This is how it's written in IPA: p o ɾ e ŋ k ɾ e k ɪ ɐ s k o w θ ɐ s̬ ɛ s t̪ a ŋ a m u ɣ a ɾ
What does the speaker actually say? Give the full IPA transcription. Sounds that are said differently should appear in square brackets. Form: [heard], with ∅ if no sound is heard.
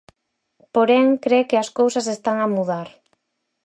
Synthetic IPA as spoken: p o ɾ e ŋ k ɾ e k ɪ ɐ s k o w [s] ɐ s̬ [e] s t̪ a ŋ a m u [ð] a ɾ